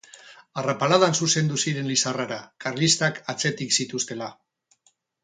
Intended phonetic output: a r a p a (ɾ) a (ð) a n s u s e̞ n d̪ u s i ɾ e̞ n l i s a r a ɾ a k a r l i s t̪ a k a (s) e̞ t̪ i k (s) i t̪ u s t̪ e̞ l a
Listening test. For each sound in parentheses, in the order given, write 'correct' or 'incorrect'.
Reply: incorrect: l, correct, incorrect: t͡s, correct

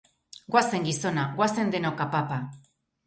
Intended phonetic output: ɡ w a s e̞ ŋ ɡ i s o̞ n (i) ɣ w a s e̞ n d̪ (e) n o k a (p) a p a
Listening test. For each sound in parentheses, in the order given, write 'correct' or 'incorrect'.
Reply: incorrect: a, correct, correct

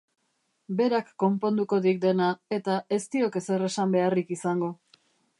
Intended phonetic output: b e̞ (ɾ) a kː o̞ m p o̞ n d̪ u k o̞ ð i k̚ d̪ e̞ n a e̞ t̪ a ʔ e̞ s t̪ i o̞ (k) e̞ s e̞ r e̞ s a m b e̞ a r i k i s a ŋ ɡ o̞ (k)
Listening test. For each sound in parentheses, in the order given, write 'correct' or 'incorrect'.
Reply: correct, correct, incorrect: none

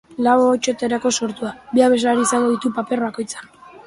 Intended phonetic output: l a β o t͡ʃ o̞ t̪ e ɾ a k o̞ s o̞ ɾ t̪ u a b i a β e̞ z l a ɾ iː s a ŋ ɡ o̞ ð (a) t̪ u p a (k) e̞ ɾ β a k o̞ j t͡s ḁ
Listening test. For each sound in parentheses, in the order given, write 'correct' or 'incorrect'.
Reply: incorrect: i, incorrect: p

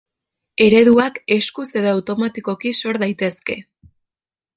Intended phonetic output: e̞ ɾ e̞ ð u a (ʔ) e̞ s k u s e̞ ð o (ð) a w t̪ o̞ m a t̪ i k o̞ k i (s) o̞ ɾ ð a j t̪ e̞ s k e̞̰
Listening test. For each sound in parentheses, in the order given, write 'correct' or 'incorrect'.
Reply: incorrect: k, incorrect: none, correct

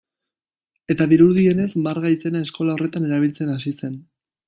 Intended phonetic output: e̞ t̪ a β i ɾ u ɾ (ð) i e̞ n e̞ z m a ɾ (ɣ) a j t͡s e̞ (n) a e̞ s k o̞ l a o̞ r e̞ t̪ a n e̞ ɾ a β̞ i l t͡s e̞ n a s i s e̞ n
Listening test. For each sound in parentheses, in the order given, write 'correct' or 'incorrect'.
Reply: correct, correct, correct

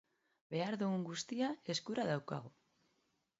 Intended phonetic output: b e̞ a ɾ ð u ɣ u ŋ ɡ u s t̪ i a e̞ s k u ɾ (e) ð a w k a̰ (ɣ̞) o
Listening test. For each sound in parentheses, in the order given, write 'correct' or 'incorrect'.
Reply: incorrect: a, correct

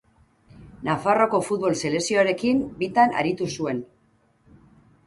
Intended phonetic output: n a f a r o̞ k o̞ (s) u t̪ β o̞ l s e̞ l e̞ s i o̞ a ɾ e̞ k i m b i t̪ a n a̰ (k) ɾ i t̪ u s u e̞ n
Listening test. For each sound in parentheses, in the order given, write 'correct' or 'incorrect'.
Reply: incorrect: f, incorrect: none

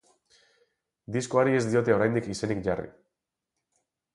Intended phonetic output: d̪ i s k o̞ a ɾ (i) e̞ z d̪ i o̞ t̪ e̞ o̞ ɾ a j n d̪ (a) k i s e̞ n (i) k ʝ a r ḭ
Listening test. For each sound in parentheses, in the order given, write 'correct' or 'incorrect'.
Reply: correct, incorrect: i, correct

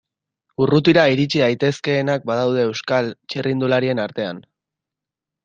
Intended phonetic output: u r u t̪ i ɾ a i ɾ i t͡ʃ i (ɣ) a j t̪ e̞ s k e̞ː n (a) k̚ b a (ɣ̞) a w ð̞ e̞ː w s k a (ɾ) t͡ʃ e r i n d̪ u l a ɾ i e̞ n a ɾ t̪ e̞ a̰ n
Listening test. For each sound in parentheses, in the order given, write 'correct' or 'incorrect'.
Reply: incorrect: ð, correct, incorrect: ð̞, incorrect: l

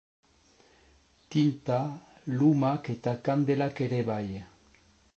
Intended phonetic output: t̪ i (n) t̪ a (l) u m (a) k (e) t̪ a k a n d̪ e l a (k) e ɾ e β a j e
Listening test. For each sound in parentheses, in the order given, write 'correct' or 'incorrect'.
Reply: correct, correct, correct, correct, correct

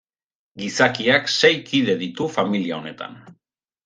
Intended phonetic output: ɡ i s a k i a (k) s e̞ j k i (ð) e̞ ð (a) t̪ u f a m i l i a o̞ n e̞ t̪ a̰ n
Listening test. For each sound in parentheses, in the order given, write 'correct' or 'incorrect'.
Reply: correct, correct, incorrect: i

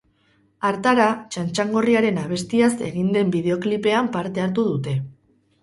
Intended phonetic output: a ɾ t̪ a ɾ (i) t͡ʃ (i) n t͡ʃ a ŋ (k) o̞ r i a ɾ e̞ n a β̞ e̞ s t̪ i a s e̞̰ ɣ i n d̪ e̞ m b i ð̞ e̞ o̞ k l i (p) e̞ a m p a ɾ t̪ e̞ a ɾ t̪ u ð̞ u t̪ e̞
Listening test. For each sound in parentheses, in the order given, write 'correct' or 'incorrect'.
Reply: incorrect: a, incorrect: a, incorrect: ɡ, correct

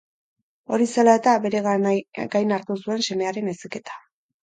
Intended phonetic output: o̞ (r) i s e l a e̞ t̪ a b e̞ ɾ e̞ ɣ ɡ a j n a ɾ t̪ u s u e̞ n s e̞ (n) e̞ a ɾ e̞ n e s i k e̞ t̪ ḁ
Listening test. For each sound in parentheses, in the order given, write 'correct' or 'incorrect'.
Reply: incorrect: ɾ, incorrect: m

